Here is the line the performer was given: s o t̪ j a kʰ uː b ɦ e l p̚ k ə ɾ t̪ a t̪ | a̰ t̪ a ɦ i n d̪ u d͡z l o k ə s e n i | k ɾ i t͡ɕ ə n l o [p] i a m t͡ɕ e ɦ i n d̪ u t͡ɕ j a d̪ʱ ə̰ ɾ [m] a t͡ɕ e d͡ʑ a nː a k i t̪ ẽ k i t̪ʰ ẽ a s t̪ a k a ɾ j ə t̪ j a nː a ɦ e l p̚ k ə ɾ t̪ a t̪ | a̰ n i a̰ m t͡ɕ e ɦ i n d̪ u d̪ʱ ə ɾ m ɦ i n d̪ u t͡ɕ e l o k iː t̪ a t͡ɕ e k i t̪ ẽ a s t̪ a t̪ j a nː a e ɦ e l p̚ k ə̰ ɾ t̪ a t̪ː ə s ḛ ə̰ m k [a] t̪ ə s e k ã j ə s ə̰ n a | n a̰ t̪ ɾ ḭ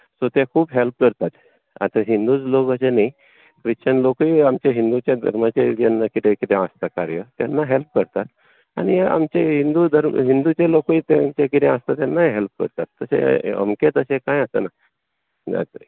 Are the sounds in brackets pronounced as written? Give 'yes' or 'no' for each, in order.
no, yes, no

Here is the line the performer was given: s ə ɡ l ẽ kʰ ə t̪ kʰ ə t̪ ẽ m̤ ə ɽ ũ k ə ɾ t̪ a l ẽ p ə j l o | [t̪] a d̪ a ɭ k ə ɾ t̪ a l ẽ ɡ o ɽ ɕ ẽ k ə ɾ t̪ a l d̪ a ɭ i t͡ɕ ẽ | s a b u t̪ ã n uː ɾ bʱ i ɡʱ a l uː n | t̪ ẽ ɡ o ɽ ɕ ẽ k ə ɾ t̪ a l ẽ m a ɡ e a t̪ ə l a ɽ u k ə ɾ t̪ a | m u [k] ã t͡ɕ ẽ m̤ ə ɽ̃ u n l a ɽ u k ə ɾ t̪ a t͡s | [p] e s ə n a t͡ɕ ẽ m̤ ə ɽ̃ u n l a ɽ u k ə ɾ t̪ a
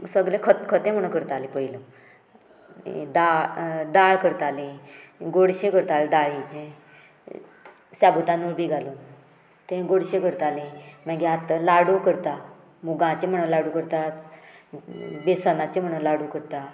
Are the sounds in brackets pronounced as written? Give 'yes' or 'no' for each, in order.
no, no, no

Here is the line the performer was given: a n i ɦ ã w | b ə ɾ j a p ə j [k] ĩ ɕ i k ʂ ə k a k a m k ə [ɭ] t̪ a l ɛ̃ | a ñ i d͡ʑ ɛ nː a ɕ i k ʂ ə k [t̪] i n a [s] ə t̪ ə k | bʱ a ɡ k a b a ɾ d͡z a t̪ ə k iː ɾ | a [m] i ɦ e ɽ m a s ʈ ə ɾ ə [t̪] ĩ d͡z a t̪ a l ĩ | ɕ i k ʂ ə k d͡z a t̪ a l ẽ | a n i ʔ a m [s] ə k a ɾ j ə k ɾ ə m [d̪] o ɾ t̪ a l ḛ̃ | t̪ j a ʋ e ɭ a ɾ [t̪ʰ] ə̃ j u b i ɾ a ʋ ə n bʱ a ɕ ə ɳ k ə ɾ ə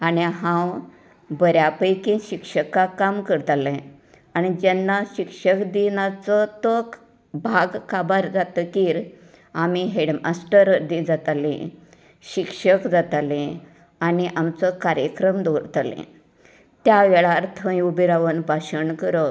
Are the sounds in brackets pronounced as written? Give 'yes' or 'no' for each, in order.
yes, no, no, no, yes, no, no, yes, yes

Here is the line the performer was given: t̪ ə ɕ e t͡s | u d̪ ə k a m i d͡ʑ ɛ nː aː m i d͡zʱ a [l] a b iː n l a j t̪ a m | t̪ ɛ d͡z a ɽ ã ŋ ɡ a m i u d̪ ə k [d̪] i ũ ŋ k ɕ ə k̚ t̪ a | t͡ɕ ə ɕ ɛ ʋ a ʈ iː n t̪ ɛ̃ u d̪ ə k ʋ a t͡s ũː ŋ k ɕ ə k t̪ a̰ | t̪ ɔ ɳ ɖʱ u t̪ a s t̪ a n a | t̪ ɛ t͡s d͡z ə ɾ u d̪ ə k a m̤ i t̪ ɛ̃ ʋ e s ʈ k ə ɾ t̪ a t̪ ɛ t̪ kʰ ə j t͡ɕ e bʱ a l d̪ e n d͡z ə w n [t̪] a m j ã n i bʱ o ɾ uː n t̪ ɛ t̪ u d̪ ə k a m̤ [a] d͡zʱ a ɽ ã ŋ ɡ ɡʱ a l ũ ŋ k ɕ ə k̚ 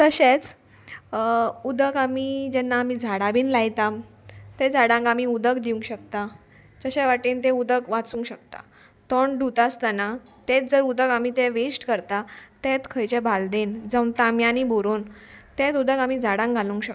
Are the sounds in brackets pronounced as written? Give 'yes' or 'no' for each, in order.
no, yes, yes, no

